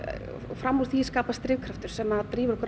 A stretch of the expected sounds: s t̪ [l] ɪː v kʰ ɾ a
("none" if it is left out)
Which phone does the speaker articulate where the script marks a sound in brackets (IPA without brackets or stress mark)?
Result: ɾ